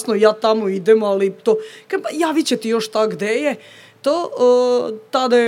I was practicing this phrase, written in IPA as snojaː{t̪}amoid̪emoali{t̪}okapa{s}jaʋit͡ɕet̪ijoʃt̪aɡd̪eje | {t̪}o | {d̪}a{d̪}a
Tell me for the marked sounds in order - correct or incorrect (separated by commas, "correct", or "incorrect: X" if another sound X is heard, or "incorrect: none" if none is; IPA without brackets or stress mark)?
correct, correct, incorrect: none, correct, incorrect: t̪, correct